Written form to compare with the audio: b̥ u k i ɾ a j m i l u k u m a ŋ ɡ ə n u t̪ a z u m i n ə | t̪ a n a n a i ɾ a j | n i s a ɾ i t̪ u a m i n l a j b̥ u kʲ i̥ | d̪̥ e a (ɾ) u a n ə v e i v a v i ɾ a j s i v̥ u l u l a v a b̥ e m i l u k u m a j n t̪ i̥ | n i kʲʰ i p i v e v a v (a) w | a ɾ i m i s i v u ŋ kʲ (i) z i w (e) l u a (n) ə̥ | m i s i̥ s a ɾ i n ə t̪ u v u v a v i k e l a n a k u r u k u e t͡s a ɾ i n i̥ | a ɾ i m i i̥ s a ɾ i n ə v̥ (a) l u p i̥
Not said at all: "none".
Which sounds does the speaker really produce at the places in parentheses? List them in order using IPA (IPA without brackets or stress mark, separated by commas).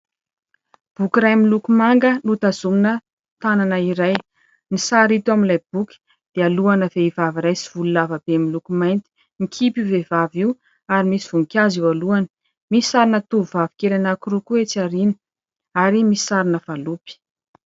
l, i, a, a, n, a